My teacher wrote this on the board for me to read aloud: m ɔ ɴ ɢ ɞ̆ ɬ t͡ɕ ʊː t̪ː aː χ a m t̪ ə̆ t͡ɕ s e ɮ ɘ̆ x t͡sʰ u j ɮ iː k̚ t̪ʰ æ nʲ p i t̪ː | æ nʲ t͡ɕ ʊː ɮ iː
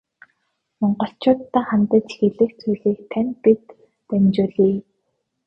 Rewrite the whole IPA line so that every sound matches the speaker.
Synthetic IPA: m ɔ ɴ ɢ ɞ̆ ɬ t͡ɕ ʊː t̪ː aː χ a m t̪ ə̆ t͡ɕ x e ɮ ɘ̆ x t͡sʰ u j ɮ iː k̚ t̪ʰ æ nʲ p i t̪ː | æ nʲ t͡ɕ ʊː ɮ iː